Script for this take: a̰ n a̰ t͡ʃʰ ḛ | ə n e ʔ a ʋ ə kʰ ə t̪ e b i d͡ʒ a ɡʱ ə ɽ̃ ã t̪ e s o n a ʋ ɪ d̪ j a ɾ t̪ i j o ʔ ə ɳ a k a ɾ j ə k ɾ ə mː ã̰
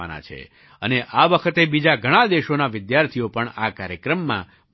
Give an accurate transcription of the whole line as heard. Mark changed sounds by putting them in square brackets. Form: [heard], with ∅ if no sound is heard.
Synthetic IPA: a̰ n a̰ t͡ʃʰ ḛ | ə n e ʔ a ʋ ə kʰ ə t̪ e b i d͡ʒ a ɡʱ ə ɽ̃ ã [d̪] e [ʃ] o n a ʋ ɪ d̪ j a ɾ [t̪ʰ] i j o [p] ə ɳ a k a ɾ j ə k ɾ ə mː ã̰